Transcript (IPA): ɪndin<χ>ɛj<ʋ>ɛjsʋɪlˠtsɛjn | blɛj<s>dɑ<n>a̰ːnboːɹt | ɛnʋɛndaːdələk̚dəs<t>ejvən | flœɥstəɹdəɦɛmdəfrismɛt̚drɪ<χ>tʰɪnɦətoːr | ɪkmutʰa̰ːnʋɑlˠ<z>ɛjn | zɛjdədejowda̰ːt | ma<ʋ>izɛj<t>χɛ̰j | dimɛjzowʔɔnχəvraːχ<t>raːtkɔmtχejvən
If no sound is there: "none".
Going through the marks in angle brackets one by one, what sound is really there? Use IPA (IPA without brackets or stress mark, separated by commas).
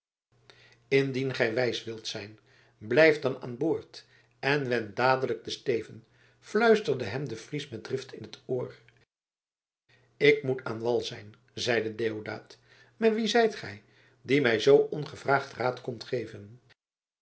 χ, ʋ, f, n, t, f, z, ʋ, t, t